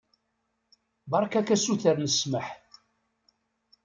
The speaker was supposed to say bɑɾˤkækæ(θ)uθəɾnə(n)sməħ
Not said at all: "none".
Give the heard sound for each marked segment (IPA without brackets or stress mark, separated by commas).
s, none